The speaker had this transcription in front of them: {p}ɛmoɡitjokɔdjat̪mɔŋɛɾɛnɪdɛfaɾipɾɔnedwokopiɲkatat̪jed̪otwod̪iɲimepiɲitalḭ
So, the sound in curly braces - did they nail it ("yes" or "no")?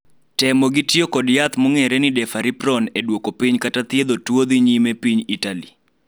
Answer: no